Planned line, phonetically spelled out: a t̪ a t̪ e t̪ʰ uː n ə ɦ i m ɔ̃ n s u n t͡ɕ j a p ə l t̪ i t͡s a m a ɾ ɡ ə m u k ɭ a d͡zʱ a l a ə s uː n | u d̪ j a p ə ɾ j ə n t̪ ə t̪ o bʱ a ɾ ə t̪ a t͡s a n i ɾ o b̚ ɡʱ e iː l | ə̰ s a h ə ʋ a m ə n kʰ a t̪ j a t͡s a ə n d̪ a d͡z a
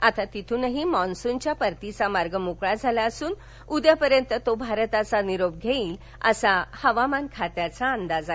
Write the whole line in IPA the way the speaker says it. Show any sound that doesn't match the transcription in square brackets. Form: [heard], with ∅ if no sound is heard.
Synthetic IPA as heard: a t̪ a t̪ [i] t̪ʰ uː n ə ɦ i m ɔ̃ n s u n t͡ɕ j a p ə [ɾ] t̪ i t͡s a m a ɾ ɡ ə m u k ɭ a d͡zʱ a l a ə s uː n | u d̪ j a p ə ɾ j ə n t̪ ə t̪ o bʱ a ɾ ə t̪ a t͡s a n i ɾ o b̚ ɡʱ e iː l | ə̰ s a h ə ʋ a m [a] n kʰ a t̪ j a t͡s a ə n d̪ a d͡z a